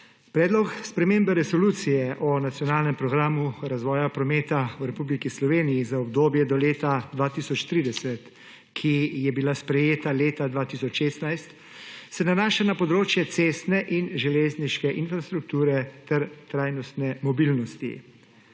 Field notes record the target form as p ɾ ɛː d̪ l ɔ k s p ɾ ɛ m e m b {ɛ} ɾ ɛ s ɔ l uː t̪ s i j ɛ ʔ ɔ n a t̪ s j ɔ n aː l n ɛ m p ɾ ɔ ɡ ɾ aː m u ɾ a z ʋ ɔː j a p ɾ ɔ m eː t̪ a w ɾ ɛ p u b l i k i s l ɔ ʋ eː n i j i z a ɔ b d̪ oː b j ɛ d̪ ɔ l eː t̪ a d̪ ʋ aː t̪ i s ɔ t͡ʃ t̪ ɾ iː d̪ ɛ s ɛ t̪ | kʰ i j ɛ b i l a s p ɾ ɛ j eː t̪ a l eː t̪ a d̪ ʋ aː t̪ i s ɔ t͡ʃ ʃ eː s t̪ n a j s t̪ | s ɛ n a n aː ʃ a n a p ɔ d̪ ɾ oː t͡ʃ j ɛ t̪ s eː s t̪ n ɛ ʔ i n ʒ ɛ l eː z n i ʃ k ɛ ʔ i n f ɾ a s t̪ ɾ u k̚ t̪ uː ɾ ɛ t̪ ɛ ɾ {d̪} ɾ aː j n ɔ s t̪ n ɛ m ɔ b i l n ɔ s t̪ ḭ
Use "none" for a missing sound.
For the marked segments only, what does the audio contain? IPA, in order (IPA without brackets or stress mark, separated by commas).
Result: ɛ, t̪